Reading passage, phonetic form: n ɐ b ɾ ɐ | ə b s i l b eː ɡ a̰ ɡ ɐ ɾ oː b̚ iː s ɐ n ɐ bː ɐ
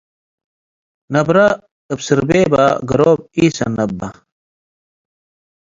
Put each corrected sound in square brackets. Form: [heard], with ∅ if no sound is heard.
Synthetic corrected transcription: n ɐ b ɾ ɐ | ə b s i [ɾ] b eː [b] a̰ ɡ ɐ ɾ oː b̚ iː s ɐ n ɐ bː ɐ